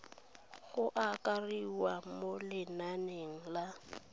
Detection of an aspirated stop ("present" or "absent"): absent